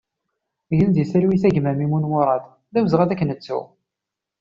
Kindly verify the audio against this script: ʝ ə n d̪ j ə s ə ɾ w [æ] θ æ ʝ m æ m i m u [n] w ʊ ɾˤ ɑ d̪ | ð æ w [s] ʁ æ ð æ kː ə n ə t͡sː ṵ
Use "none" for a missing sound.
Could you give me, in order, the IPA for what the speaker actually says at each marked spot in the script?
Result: i, n, z

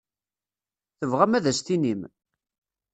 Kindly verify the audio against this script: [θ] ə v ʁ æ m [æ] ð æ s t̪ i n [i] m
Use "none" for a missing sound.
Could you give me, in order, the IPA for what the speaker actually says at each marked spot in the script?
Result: θ, æ, i

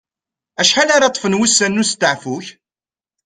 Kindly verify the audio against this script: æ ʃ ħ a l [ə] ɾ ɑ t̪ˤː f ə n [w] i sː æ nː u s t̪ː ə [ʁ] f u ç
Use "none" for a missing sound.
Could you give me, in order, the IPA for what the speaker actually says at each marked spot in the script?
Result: a, w, ʕ

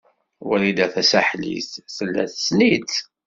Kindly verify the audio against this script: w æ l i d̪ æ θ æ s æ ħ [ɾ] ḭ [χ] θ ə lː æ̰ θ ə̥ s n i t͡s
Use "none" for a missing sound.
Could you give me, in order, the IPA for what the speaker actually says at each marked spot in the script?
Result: l, θ

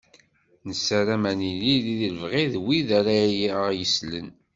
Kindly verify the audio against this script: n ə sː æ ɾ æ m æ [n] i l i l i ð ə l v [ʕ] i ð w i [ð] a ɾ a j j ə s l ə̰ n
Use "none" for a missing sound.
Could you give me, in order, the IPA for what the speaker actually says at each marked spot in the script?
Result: n, ʁ, ð

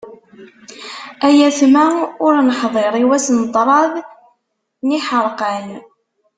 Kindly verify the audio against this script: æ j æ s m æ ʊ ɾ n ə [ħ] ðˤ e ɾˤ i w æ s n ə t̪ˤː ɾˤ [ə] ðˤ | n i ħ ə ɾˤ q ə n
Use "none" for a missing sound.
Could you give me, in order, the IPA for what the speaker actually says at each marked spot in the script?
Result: ħ, ɑ

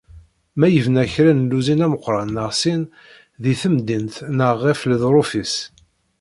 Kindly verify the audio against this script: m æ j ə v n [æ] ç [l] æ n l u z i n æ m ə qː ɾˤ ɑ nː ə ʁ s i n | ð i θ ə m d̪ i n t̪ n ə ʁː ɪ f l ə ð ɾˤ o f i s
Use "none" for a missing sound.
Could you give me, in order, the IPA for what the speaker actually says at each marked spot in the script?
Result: æ, ɾ

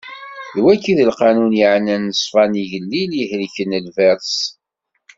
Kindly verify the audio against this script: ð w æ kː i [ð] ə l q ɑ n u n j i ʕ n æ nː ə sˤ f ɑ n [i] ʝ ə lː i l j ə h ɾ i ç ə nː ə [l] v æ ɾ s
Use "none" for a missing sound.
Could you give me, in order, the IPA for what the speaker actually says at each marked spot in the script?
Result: ð, i, l

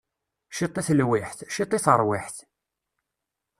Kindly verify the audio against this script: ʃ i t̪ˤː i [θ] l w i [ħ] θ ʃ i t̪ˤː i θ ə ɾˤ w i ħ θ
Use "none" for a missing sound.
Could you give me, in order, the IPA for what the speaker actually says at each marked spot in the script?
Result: θ, ħ

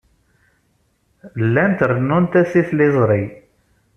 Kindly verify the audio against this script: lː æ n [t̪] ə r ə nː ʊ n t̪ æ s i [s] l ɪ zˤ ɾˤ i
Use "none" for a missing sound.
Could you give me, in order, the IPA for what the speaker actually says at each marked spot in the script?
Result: t̪, θ

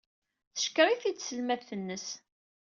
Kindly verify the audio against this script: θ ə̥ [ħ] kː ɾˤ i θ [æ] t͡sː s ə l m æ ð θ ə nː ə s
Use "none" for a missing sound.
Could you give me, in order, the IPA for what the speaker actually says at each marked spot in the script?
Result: ʃ, i

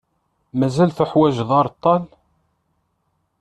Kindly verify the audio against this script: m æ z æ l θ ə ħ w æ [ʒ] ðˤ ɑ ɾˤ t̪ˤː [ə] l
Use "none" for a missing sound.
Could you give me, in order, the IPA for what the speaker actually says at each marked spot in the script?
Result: ʒ, ɑ

